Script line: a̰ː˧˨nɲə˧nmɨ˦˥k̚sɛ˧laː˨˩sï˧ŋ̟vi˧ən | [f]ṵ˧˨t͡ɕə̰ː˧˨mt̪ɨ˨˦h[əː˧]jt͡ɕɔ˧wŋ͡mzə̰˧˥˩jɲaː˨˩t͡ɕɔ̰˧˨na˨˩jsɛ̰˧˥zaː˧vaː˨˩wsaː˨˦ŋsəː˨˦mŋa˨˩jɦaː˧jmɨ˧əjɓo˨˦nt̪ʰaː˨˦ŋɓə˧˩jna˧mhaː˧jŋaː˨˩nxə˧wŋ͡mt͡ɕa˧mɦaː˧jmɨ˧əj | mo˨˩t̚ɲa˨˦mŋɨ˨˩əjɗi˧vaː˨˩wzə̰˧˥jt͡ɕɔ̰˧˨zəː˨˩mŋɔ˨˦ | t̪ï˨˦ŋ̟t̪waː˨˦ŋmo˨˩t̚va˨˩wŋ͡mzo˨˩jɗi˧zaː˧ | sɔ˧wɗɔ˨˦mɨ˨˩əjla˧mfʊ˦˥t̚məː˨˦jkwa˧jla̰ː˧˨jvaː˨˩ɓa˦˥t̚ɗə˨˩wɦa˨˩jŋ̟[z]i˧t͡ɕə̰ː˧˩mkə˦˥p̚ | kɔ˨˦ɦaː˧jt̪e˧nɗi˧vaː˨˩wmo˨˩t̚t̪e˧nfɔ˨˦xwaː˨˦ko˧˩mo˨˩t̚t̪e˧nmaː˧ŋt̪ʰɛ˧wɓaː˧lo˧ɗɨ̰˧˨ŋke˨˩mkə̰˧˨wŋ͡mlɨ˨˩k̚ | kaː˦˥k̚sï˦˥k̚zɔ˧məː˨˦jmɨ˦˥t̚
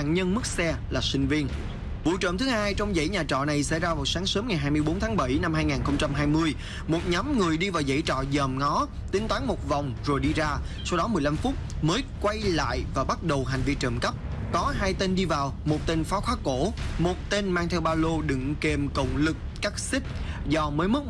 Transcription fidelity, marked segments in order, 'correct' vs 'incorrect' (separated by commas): incorrect, incorrect, incorrect